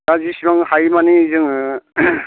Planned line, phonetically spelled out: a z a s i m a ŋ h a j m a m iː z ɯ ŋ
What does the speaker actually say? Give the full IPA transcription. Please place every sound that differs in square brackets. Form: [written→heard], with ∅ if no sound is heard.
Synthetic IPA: a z [a→i] s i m a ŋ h a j m a [m→n] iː z ɯ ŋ